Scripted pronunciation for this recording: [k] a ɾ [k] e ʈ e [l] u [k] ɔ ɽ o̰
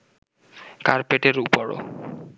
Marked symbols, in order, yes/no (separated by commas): yes, no, no, no